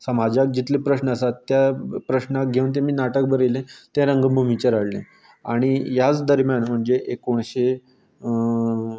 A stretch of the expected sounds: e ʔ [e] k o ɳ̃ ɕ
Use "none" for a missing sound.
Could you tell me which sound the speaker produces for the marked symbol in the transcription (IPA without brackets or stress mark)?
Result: e